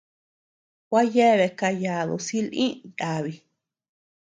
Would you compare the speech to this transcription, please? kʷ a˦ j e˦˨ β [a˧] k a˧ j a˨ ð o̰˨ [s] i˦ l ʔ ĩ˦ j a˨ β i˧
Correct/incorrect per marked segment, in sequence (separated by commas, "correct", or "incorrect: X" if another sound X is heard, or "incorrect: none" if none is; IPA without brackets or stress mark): incorrect: e˧, correct